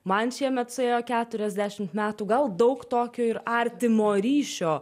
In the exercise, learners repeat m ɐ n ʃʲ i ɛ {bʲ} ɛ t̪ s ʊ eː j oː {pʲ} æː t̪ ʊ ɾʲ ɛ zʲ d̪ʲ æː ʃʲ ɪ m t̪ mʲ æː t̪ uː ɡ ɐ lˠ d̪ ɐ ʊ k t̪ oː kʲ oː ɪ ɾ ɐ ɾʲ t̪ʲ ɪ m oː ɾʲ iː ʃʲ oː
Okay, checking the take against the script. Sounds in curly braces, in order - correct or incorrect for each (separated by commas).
incorrect, incorrect